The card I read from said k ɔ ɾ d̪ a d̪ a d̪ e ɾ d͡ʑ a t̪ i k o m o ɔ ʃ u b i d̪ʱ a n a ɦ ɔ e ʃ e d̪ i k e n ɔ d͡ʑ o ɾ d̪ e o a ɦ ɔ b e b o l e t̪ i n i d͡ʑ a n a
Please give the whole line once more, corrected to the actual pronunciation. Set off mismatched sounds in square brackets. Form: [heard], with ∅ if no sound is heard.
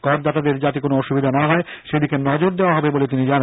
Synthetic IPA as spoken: k ɔ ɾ d̪ a [t̪] a d̪ e ɾ d͡ʑ a t̪ i k o [n] o ɔ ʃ u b i d̪ʱ a n a ɦ ɔ e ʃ e d̪ i k e n ɔ d͡ʑ o ɾ d̪ e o a ɦ ɔ b e b o l e t̪ i n i d͡ʑ a n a